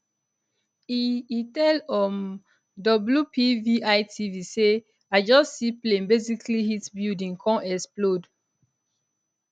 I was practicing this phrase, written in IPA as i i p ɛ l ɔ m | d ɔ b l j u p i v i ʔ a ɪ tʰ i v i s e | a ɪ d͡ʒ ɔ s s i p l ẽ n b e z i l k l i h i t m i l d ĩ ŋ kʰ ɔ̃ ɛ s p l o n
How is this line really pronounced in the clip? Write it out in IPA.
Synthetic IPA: i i t ɛ l ɔ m | d ɔ b l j u p i v i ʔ a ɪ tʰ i v i s e | a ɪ d͡ʒ ɔ s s i p l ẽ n b e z i k l i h i t b i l d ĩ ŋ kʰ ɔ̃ ɛ s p l o d